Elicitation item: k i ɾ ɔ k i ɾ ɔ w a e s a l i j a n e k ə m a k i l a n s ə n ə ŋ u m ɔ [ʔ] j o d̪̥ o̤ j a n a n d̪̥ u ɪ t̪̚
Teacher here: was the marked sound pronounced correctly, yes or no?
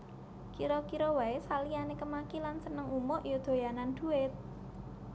yes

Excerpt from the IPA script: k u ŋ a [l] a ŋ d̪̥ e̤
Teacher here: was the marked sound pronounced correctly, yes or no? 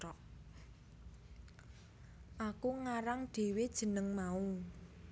no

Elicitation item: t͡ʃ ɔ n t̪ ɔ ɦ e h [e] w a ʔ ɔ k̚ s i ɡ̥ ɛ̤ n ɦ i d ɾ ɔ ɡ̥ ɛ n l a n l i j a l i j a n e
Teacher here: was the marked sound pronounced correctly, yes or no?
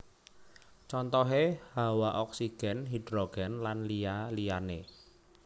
no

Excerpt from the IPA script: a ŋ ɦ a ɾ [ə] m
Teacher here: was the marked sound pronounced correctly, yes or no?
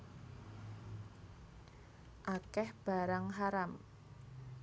no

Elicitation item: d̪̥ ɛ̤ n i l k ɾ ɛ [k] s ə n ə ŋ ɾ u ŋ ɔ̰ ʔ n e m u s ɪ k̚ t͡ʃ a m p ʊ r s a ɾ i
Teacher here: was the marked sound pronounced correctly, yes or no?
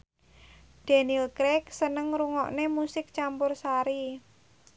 yes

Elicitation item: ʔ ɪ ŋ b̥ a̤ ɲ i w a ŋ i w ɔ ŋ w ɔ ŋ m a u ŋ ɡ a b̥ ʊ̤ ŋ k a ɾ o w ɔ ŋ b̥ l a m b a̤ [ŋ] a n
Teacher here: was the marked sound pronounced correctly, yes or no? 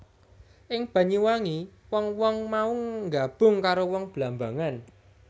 yes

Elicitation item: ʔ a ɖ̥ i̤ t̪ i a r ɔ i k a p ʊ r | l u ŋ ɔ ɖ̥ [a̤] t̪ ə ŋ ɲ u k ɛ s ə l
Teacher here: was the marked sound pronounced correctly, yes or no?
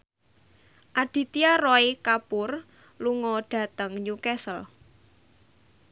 yes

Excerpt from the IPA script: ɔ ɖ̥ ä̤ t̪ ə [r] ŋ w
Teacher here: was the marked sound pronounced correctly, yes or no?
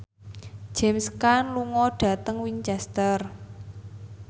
no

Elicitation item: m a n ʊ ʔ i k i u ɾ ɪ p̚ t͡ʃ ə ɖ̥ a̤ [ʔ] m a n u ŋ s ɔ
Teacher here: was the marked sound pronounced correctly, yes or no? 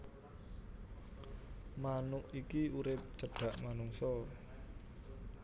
yes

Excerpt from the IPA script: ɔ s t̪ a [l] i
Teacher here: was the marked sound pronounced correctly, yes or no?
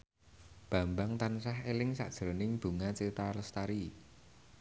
no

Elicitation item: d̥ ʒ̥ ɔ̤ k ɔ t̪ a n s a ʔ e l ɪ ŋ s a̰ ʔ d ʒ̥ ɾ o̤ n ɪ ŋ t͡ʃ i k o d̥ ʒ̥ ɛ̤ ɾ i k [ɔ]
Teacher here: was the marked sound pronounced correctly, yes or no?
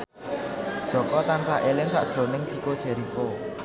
no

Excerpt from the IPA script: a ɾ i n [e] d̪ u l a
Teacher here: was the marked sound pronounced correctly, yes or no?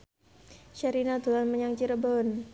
no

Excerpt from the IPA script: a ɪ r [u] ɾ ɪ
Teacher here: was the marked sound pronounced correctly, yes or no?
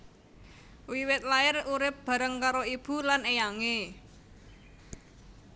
yes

